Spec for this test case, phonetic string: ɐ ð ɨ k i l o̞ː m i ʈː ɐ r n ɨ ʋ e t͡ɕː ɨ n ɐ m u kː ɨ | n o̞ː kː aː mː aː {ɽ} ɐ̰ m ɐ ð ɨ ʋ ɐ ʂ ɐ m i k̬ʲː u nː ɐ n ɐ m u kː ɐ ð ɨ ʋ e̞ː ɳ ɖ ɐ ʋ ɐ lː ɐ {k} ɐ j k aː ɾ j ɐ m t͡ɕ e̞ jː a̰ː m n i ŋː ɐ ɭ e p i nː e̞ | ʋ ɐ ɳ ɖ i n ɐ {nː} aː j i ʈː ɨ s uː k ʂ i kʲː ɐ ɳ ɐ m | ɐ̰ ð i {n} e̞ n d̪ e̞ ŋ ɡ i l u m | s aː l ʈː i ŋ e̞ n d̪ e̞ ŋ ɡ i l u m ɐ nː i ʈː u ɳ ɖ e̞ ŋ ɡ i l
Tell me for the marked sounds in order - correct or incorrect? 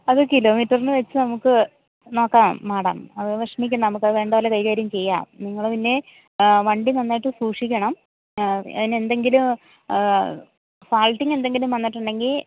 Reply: correct, correct, correct, correct

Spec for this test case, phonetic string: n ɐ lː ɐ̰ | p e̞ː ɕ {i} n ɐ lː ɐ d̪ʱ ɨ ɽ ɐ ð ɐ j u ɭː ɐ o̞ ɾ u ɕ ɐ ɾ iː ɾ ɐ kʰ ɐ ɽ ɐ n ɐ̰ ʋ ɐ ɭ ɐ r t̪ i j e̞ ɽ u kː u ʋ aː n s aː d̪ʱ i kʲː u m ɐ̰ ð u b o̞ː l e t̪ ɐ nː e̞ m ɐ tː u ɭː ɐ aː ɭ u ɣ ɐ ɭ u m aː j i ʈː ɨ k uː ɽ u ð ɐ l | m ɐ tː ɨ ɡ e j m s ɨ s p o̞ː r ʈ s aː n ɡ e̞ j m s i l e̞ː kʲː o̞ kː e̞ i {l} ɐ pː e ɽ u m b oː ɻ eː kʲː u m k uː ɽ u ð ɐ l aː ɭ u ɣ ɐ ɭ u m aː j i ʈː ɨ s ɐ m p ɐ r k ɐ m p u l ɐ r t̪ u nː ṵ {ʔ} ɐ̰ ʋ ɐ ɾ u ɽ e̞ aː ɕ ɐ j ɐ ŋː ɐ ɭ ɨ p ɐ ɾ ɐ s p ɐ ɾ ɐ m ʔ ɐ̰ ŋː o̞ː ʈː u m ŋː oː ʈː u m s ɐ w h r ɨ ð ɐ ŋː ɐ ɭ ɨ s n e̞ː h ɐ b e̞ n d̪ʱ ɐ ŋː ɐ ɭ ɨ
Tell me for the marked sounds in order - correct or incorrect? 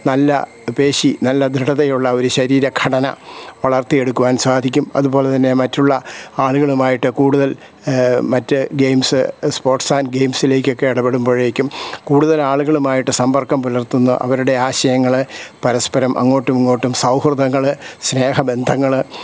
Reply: correct, incorrect: ɽ, correct

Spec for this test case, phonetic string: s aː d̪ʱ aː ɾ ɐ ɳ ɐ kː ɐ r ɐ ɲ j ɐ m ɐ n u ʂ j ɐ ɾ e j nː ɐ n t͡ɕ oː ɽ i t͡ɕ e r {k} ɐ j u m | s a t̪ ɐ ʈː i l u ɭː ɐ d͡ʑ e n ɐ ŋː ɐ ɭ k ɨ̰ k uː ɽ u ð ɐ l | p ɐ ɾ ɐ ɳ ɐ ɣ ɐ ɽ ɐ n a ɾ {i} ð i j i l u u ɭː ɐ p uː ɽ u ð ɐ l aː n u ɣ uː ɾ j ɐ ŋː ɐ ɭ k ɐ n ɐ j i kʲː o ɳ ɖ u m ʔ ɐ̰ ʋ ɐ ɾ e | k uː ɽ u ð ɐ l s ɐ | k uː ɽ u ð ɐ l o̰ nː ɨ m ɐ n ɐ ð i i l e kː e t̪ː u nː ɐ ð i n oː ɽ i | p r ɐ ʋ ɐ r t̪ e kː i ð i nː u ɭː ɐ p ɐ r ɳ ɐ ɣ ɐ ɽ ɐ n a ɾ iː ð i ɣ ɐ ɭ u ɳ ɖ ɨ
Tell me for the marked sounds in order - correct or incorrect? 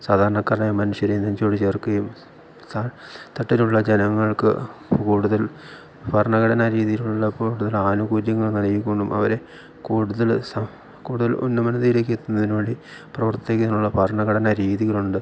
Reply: correct, incorrect: iː

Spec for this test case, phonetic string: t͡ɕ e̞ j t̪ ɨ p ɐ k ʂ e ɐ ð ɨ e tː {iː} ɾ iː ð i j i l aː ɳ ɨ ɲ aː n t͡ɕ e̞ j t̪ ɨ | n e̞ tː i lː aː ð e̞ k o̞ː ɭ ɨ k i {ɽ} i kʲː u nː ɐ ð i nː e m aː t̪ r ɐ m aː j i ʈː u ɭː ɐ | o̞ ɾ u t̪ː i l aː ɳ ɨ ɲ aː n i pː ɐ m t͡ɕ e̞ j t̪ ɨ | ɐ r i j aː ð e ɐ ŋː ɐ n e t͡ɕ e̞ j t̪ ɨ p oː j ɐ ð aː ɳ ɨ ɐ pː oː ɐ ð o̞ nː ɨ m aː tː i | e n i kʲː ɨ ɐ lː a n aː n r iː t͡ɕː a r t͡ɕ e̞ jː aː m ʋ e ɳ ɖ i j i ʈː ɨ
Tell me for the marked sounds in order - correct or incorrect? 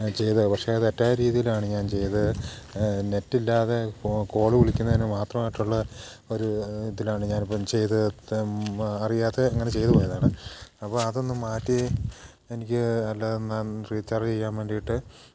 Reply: incorrect: aː, incorrect: ɭ

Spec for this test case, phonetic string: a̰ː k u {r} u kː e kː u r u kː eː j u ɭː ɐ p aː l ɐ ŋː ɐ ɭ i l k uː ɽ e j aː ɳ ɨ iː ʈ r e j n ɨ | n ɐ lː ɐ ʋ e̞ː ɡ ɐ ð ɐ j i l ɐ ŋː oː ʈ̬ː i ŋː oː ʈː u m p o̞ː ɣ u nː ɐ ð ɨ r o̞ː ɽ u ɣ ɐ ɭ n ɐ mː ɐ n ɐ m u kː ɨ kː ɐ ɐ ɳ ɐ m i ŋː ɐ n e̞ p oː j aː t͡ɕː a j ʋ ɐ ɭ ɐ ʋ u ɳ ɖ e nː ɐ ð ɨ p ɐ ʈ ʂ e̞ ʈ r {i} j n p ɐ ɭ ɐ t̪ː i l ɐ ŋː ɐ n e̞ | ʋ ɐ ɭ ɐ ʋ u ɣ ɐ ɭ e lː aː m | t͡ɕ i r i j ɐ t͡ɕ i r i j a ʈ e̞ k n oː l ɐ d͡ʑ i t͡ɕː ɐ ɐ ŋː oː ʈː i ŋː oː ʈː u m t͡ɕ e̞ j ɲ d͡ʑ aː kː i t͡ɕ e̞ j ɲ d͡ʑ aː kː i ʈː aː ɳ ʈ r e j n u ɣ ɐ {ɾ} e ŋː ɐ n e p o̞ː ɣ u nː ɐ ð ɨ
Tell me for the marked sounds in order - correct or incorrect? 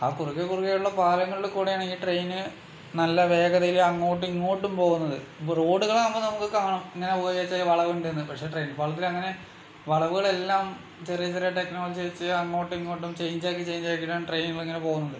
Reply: correct, incorrect: e, incorrect: ɭ

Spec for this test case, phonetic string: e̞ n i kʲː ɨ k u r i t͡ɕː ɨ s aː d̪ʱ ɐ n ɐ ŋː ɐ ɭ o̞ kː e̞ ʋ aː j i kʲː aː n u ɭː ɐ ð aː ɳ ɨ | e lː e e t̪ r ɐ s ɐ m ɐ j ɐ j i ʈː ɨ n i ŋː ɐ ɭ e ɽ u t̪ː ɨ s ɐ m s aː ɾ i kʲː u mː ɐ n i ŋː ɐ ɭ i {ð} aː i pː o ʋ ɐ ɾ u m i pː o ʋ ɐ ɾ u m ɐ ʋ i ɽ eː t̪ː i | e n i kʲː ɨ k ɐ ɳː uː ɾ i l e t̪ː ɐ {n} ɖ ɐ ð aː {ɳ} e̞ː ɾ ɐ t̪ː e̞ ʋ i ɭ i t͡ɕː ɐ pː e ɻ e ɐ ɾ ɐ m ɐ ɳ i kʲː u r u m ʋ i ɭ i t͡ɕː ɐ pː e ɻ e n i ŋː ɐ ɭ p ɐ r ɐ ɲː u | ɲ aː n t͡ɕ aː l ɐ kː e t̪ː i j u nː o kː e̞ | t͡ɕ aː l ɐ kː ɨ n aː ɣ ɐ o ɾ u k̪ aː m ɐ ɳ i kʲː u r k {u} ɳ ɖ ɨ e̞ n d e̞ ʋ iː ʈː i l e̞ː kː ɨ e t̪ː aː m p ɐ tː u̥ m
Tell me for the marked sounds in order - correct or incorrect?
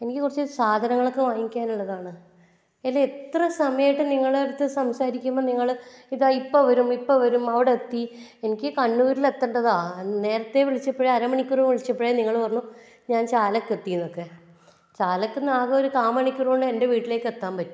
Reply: correct, incorrect: ɳ, incorrect: n, incorrect: o

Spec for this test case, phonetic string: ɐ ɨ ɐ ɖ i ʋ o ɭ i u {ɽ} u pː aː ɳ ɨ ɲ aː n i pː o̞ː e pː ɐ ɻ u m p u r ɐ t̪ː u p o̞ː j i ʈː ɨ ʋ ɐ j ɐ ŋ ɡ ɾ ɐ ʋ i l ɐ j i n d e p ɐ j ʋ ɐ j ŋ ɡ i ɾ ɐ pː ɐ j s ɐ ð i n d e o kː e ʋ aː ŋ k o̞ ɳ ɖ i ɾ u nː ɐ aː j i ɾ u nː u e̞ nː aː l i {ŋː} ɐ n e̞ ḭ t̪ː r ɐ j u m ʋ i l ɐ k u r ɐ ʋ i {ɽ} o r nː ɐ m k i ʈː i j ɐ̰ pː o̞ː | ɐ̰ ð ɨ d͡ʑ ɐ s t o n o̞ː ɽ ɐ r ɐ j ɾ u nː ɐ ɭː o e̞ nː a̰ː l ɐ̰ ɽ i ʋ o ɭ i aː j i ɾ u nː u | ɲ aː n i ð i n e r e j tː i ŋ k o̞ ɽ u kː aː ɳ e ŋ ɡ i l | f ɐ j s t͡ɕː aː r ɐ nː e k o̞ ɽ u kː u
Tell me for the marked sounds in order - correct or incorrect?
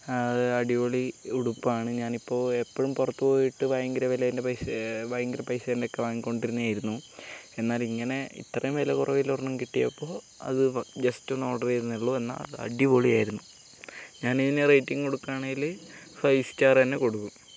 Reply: correct, correct, incorrect: l

